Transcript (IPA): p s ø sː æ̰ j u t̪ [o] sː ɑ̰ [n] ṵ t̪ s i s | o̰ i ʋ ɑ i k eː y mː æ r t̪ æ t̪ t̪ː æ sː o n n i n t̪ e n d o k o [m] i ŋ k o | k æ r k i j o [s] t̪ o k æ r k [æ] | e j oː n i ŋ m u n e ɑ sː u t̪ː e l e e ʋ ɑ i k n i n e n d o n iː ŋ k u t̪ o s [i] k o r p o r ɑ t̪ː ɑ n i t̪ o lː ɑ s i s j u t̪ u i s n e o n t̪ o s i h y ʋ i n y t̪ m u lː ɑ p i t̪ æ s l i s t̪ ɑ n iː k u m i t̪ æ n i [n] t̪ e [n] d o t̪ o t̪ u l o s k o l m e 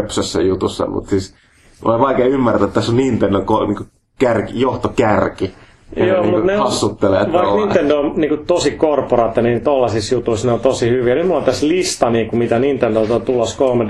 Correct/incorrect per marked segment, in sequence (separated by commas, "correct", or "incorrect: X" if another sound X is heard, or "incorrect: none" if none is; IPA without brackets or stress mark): incorrect: u, incorrect: m, incorrect: n, incorrect: h, incorrect: i, correct, correct, correct